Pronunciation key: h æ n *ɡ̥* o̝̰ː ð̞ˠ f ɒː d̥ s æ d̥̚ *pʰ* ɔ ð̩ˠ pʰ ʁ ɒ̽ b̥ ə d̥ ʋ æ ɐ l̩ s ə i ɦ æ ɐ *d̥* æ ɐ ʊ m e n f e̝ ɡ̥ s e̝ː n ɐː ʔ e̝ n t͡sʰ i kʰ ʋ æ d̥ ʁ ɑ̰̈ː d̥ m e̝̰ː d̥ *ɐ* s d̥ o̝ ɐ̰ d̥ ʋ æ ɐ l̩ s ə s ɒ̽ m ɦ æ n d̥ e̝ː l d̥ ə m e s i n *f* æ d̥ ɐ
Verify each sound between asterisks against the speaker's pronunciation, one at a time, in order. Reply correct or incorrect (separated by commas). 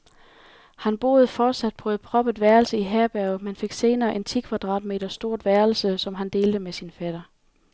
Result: incorrect, correct, incorrect, correct, correct